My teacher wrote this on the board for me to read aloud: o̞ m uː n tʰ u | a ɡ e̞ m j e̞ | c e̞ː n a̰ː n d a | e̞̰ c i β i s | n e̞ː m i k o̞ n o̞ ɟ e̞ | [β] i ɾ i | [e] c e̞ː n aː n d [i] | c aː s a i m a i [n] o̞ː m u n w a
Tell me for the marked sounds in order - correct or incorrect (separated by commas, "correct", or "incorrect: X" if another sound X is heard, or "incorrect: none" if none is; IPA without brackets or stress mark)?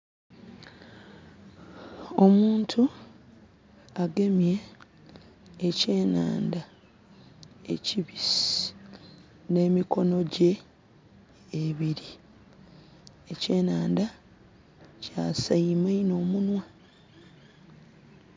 correct, correct, incorrect: a, correct